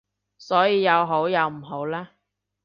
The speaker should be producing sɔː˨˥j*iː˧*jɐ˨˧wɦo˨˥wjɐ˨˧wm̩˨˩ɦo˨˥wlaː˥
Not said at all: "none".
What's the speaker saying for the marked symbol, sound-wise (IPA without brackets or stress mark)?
iː˧